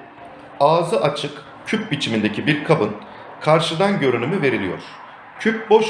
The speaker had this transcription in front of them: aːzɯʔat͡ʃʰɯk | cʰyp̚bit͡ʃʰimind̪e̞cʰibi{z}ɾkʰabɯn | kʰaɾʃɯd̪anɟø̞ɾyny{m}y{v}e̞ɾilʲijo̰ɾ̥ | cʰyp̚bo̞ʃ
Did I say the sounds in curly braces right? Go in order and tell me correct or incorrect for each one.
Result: incorrect: none, correct, correct

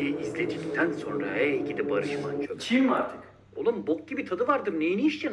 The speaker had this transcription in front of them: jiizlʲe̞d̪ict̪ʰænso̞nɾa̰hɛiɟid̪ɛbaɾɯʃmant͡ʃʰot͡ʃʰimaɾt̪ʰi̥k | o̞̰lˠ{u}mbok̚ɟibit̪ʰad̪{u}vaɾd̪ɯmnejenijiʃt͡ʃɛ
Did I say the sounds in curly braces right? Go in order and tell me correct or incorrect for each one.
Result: correct, incorrect: ɯ

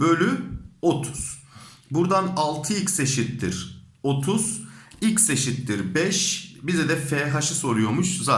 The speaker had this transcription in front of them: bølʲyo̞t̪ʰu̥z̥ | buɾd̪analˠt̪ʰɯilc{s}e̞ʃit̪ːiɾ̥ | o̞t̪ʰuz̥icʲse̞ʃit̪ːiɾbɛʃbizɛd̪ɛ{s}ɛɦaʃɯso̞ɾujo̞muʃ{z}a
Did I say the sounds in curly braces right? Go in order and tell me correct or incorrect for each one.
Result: correct, incorrect: f, correct

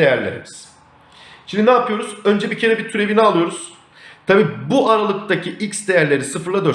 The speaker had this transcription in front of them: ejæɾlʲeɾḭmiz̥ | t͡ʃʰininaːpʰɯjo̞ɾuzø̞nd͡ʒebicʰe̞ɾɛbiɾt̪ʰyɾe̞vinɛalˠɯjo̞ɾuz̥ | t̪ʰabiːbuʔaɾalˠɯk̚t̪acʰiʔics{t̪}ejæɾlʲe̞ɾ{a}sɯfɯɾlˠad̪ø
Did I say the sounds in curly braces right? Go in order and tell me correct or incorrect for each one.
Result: incorrect: d̪, incorrect: i

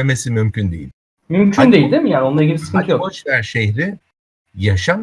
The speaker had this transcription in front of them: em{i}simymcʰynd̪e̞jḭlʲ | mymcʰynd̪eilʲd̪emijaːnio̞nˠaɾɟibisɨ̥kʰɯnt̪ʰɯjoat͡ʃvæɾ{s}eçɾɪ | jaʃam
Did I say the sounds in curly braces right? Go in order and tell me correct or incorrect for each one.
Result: incorrect: e, incorrect: ʃ

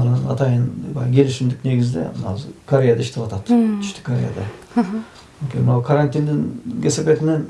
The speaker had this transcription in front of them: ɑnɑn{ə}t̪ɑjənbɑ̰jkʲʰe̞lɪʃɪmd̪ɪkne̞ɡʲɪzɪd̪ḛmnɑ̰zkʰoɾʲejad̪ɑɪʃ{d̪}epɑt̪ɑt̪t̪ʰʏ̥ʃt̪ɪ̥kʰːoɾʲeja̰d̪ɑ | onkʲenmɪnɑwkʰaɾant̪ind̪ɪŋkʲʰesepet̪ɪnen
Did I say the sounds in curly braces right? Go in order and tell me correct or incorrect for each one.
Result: incorrect: ɑ, incorrect: t̪

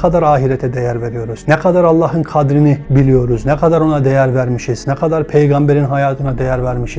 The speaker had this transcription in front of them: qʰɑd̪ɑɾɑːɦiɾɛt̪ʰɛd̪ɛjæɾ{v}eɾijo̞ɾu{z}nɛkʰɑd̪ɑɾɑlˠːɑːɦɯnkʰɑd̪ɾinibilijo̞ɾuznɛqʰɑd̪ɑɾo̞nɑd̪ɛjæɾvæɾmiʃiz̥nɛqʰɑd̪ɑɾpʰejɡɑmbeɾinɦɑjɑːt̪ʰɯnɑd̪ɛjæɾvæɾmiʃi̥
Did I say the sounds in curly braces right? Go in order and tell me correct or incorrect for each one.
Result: correct, correct

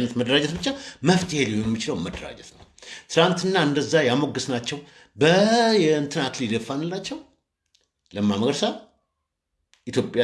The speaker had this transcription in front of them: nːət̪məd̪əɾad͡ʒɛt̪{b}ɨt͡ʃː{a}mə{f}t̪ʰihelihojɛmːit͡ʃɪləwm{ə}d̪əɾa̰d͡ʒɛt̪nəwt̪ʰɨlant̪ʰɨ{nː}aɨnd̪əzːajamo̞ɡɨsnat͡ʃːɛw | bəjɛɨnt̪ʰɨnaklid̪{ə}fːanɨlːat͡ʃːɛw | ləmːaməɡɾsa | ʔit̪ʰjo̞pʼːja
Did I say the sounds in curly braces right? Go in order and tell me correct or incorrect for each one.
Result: correct, correct, correct, correct, correct, correct

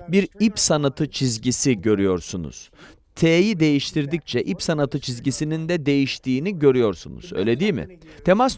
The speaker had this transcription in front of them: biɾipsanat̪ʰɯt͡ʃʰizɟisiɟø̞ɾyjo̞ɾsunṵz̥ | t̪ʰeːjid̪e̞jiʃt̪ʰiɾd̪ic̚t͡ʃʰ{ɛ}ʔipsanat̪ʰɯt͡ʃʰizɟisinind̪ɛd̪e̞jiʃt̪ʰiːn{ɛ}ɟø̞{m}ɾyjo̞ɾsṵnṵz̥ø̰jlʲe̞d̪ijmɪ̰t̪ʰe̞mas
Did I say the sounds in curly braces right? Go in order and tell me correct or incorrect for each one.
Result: correct, incorrect: i, incorrect: none

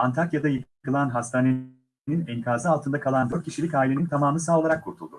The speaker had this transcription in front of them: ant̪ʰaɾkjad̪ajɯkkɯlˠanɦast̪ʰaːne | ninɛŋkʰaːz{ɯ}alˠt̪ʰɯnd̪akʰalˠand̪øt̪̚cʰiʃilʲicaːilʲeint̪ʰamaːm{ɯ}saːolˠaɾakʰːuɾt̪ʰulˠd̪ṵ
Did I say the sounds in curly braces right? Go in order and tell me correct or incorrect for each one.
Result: correct, correct

